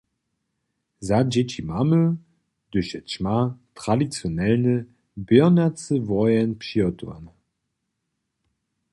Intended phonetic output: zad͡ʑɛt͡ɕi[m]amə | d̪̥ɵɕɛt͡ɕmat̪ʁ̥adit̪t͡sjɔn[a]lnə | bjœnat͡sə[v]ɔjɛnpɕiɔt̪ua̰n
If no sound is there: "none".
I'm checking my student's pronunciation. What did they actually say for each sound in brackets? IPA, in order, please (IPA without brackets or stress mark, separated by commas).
m, ɛ, v